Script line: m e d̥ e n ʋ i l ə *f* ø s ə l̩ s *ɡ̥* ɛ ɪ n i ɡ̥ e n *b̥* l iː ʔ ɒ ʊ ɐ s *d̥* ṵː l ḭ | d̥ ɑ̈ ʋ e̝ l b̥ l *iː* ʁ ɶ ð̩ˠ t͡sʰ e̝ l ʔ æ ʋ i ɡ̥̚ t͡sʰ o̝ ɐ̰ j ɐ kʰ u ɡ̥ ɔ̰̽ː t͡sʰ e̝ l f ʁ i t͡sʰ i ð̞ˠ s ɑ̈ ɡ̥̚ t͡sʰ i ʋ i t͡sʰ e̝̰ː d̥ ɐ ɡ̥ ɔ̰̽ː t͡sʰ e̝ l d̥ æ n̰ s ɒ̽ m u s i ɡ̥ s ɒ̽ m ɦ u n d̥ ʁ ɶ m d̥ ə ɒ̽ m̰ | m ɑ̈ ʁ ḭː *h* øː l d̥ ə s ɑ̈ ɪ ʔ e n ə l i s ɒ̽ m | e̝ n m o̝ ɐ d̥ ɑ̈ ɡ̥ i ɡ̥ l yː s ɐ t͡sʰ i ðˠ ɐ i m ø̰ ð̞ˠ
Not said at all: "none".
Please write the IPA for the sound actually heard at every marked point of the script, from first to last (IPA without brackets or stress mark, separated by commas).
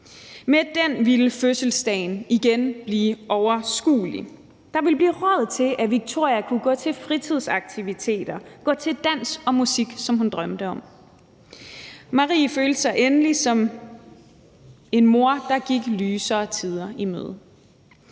f, d̥, b̥, ɡ̥, iː, f